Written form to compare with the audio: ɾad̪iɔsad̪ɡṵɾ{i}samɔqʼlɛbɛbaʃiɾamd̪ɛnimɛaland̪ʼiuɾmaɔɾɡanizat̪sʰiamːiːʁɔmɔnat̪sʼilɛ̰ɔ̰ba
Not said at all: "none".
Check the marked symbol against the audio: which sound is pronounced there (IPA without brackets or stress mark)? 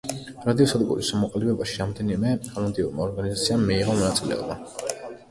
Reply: i